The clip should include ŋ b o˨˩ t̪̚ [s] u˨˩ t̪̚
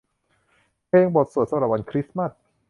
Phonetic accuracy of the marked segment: correct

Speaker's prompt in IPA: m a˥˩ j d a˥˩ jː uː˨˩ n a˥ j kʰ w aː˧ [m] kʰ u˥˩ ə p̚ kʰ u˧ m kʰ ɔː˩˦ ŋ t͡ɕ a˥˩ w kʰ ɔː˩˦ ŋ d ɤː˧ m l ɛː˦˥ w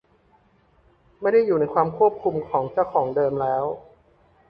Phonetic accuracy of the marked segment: correct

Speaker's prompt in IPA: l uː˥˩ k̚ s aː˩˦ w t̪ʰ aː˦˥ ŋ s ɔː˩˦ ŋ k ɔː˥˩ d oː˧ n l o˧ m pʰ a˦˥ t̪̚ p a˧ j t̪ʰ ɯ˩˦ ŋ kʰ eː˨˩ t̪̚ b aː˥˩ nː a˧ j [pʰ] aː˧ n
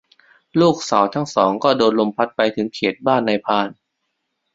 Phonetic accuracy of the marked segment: correct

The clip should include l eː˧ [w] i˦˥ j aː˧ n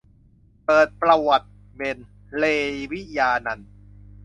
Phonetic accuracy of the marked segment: correct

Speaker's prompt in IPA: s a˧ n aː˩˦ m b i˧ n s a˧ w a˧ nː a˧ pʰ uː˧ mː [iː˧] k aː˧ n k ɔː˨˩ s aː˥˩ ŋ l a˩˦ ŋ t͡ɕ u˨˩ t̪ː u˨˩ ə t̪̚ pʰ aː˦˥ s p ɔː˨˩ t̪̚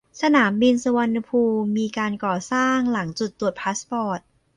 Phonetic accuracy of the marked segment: correct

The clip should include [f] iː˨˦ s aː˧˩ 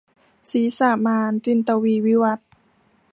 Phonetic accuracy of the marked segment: incorrect: s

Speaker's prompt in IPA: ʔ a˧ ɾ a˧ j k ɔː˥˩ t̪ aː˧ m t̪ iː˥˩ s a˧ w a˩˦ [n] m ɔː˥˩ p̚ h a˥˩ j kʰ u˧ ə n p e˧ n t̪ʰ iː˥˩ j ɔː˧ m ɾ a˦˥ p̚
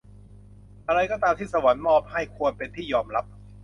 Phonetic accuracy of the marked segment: correct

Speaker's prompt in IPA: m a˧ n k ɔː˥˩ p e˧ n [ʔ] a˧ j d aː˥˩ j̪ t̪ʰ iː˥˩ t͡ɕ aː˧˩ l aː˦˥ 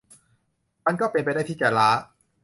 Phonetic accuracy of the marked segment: incorrect: p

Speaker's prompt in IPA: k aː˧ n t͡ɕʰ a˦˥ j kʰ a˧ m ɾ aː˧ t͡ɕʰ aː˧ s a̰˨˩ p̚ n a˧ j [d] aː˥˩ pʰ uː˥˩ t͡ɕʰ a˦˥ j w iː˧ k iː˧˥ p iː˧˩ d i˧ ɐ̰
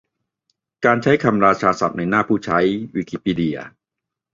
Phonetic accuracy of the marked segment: incorrect: n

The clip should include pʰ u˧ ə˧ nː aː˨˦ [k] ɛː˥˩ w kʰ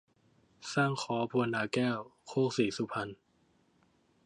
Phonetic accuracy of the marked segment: correct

